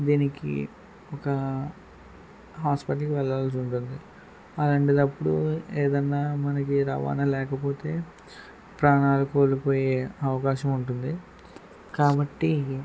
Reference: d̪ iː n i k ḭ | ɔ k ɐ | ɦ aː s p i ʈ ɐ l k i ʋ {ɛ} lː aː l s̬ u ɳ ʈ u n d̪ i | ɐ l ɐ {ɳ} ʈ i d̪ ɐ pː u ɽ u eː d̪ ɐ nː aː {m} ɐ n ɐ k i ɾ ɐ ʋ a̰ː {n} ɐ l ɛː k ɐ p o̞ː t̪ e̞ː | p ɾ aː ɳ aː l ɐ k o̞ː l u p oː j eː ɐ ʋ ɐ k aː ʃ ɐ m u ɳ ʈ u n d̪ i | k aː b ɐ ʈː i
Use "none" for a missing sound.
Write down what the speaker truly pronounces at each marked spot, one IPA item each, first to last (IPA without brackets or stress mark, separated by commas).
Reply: ɛ, ɳ, m, n